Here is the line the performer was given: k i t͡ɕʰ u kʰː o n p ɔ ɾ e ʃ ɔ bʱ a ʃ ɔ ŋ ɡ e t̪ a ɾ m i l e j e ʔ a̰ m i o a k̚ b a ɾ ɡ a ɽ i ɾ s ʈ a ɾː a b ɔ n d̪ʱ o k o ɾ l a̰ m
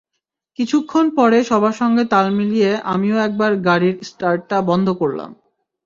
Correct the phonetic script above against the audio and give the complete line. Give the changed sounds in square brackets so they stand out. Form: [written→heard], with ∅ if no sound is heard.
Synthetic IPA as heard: k i t͡ɕʰ u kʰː o n p ɔ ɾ e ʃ ɔ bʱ a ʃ ɔ ŋ ɡ e t̪ a [ɾ→l] m i l [e→i] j e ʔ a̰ m i o [a→ɛ] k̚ b a ɾ ɡ a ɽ i ɾ s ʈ a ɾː a b ɔ n d̪ʱ o k o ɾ l a̰ m